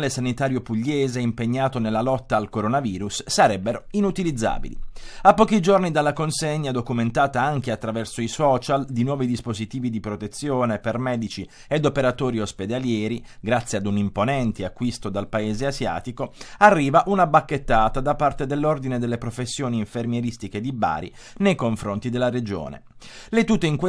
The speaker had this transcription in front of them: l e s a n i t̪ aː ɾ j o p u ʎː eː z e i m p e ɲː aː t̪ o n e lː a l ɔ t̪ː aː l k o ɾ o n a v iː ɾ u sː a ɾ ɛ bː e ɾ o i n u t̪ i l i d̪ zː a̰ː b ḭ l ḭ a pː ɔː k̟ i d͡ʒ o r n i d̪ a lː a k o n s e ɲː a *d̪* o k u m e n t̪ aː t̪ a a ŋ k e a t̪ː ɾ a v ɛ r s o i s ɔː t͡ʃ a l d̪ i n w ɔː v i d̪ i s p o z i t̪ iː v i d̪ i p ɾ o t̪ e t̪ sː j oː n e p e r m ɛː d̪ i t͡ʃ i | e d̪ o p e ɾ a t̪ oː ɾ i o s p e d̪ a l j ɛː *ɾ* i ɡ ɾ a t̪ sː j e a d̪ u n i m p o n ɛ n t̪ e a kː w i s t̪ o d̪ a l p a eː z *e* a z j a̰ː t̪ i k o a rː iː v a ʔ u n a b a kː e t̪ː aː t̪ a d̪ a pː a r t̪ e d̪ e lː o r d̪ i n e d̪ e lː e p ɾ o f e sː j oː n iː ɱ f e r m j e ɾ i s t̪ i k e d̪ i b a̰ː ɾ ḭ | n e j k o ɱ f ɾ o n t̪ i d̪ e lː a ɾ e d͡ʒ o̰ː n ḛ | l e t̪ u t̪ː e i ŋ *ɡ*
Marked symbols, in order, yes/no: yes, yes, yes, no

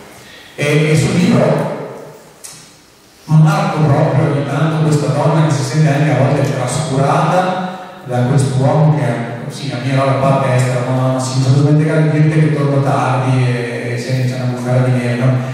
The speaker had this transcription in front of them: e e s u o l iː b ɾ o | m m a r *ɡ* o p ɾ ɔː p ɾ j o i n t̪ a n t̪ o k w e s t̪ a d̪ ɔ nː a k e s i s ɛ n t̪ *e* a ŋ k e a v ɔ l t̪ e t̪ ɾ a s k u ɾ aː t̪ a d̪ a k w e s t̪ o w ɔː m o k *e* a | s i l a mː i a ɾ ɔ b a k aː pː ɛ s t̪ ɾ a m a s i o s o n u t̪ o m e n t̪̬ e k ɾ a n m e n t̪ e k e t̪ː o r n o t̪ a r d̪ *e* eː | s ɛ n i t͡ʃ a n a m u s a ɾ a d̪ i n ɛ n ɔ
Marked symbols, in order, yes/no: no, yes, yes, no

